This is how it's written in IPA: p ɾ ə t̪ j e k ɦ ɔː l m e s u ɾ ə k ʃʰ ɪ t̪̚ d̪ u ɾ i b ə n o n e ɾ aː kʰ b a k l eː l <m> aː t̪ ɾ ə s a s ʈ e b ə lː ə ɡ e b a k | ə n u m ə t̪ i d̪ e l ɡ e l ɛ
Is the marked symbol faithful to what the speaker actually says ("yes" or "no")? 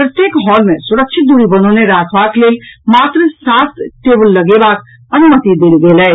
yes